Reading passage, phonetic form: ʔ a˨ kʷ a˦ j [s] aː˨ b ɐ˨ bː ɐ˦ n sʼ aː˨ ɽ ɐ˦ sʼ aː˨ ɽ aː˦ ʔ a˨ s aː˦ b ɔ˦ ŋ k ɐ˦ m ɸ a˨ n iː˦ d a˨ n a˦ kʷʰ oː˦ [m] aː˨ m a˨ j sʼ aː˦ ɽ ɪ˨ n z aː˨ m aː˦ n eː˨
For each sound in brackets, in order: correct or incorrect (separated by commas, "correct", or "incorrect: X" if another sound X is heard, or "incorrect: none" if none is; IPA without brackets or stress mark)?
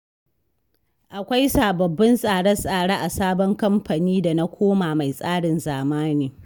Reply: correct, correct